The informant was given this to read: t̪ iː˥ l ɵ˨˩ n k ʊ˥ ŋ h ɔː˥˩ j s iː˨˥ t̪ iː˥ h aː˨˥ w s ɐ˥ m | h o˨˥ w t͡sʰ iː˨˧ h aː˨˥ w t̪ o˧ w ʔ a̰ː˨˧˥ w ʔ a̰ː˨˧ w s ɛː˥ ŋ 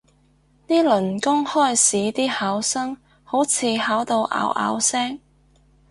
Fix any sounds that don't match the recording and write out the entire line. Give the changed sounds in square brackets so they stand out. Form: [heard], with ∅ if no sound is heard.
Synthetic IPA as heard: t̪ iː˥ l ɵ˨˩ n k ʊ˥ ŋ h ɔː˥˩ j s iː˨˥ t̪ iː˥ h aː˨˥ w s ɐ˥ [ŋ] | h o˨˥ w t͡sʰ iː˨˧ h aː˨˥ w t̪ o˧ w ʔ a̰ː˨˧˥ w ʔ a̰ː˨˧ w s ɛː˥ ŋ

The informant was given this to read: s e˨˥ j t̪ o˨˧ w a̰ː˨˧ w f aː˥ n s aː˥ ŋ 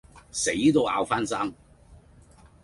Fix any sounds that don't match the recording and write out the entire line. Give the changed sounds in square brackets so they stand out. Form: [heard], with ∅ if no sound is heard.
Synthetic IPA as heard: s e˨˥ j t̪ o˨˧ w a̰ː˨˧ w f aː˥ n s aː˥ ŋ

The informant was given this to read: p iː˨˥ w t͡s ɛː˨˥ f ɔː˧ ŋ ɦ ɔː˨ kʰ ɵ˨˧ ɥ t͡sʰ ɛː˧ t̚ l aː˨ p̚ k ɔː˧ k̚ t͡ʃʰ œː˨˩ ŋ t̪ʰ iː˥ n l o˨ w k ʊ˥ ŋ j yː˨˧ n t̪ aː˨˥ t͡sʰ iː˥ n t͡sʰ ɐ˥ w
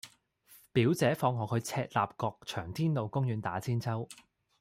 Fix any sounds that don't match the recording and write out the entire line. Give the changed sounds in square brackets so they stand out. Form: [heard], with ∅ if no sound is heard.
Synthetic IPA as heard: p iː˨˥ w t͡s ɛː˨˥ f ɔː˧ ŋ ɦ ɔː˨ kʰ ɵ˨˧ ɥ t͡sʰ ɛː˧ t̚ l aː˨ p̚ k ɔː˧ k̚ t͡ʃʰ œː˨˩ ŋ t̪ʰ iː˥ n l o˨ w k ʊ˥ ŋ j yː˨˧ n t̪ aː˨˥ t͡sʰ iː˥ n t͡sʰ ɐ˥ w

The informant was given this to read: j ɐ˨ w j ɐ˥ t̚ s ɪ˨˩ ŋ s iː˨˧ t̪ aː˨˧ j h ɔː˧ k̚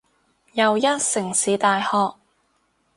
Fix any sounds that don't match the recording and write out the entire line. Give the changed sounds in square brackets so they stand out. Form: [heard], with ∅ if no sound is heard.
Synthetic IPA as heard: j ɐ˨ w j ɐ˥ t̚ s ɪ˨˩ ŋ s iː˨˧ t̪ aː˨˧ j h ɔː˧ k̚

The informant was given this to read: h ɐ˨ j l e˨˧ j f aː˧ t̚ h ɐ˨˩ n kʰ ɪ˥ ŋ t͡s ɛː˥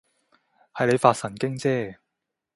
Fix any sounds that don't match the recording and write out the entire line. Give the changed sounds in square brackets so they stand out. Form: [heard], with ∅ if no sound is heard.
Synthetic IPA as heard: h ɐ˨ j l e˨˧ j f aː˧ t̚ [s] ɐ˨˩ n [k] ɪ˥ ŋ t͡s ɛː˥

